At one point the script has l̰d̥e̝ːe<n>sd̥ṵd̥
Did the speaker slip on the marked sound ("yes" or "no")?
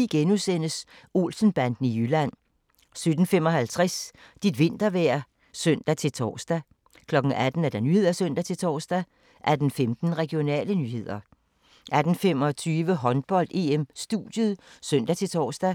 yes